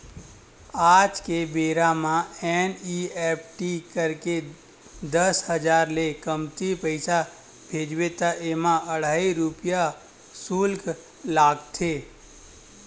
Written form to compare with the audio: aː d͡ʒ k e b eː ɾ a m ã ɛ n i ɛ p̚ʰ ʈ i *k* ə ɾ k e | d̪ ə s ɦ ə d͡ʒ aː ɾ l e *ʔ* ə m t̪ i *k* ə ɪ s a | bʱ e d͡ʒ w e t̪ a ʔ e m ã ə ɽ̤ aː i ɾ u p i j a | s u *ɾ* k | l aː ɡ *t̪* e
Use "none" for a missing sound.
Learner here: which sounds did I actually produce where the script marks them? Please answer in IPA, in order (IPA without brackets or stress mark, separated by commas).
k, k, p, l, t̪ʰ